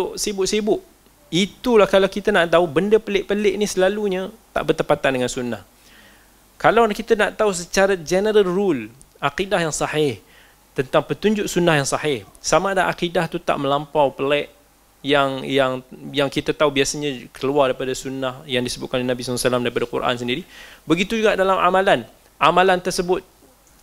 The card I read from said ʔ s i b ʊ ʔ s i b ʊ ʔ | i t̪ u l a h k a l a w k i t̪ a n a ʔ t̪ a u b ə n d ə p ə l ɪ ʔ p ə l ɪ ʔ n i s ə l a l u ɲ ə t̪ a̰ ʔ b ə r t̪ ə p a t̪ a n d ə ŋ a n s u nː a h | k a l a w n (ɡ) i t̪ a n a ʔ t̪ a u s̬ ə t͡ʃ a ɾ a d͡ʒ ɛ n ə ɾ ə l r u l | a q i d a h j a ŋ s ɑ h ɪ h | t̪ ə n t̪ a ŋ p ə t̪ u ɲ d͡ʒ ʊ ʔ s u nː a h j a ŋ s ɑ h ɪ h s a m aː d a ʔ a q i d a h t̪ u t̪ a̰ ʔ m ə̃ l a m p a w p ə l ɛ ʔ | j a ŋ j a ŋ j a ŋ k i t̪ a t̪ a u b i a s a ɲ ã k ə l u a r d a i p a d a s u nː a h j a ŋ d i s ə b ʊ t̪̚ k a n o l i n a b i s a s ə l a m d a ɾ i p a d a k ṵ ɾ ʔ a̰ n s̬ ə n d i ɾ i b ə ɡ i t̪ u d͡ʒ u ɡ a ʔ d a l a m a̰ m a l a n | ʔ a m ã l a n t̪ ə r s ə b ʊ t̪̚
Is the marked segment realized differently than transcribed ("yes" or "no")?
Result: yes